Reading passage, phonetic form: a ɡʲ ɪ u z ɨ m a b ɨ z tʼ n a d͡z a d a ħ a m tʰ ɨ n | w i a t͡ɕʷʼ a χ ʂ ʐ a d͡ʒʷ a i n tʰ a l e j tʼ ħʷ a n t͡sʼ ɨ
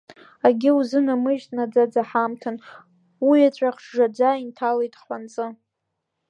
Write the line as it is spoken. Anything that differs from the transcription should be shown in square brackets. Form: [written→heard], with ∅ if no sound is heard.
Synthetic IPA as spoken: a ɡʲ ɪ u z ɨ [m→n] a [b→m] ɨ [z→ʒ] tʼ n a d͡z a [d→d͡z] a ħ a m tʰ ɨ n | w i a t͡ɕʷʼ a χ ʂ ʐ a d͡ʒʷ a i n tʰ a l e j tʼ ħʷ a n t͡sʼ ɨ